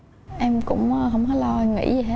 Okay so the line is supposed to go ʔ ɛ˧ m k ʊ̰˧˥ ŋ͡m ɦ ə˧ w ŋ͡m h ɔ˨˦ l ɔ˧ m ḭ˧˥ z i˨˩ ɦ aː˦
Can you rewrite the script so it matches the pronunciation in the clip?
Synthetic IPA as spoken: ʔ ɛ˧ m k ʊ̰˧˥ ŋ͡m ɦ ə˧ w ŋ͡m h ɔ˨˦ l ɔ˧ ŋ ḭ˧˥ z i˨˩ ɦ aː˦